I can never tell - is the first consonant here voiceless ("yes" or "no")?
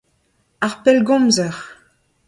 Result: no